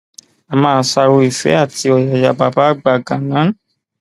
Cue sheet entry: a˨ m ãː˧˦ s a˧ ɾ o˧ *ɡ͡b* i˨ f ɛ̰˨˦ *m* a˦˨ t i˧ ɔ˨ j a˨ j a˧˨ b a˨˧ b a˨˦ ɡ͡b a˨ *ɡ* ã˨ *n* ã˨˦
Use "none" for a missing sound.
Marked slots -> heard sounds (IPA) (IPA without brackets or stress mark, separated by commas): none, none, ɡ, n